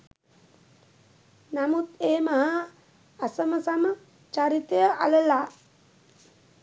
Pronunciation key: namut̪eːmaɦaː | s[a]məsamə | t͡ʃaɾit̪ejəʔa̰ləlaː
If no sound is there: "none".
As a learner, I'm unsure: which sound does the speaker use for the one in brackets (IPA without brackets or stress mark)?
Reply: ə